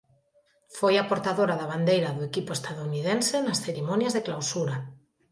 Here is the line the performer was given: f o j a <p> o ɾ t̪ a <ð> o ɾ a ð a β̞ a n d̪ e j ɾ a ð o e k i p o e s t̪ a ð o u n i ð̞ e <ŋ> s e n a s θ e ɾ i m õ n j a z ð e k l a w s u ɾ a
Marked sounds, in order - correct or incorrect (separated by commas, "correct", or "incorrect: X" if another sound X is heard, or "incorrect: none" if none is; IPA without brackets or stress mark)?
correct, correct, incorrect: n